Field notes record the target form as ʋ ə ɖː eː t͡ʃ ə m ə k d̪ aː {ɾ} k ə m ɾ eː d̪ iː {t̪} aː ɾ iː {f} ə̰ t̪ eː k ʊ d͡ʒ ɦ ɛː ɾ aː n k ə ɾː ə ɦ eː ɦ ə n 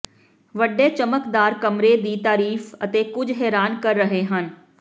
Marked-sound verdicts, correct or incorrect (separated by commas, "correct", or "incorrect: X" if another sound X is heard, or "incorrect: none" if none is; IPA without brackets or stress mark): correct, correct, correct